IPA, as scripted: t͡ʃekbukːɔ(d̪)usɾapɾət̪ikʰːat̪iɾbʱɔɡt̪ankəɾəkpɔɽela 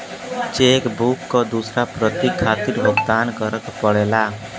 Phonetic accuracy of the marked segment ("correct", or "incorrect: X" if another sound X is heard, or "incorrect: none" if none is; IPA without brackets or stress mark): correct